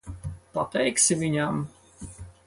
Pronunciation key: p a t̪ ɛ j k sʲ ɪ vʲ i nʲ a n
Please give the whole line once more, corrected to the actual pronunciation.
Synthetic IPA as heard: p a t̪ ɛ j k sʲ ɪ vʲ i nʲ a m